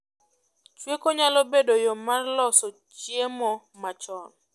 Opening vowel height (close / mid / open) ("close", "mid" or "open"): mid